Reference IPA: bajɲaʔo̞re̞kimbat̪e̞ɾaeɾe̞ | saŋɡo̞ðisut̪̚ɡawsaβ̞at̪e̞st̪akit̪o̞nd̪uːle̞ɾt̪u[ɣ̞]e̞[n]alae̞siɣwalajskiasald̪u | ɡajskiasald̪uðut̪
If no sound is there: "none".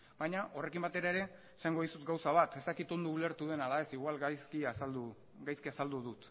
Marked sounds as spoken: ð̞, n

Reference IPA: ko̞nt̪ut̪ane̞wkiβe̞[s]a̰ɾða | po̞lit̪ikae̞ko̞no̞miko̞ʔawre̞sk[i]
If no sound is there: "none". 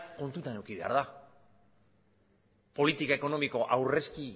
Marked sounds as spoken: none, i

